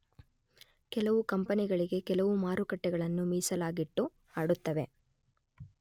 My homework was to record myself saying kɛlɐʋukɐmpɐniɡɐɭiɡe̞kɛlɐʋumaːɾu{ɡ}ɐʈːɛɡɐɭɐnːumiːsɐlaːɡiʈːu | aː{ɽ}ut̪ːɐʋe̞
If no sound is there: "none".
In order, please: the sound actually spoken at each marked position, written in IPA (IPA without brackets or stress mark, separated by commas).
k, ɽ